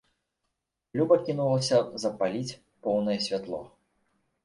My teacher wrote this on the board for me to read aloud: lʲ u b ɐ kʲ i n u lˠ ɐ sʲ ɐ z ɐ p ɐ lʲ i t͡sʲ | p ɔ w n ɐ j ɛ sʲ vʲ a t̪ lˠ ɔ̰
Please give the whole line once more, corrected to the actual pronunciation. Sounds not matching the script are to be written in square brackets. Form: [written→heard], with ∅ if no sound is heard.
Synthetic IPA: lʲ u b ɐ kʲ i n u lˠ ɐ sʲ ɐ z ɐ p [ɐ→a] lʲ i t͡sʲ | p ɔ w n ɐ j ɛ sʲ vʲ a t̪ lˠ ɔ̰